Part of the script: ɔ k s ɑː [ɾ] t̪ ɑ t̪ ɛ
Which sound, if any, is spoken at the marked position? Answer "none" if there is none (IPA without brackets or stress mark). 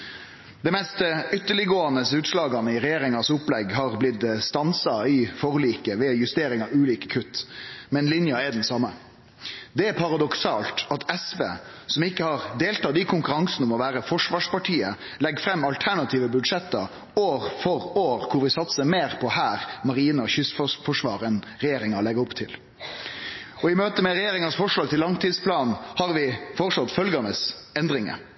l